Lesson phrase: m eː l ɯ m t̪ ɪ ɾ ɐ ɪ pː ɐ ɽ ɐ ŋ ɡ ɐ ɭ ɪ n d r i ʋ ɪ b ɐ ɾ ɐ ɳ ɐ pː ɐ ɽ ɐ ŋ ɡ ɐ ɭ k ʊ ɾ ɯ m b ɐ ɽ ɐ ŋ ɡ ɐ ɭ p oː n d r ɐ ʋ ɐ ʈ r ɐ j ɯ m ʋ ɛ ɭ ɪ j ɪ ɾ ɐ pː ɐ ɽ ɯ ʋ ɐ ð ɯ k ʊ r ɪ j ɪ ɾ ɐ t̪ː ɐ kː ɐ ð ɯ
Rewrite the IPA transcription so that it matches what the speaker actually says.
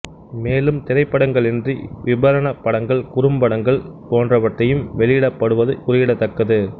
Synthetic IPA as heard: m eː l ɯ m t̪ ɪ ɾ ɐ ɪ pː ɐ ɽ ɐ ŋ ɡ ɐ ɭ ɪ n d r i ʋ ɪ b ɐ ɾ ɐ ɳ ɐ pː ɐ ɽ ɐ ŋ ɡ ɐ ɭ k ʊ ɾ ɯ m b ɐ ɽ ɐ ŋ ɡ ɐ ɭ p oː n d r ɐ ʋ ɐ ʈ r ɐ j ɯ m ʋ ɛ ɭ ɪ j ɪ ɽ ɐ pː ɐ ɽ ɯ ʋ ɐ ð ɯ k ʊ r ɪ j ɪ ɽ ɐ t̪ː ɐ kː ɐ ð ɯ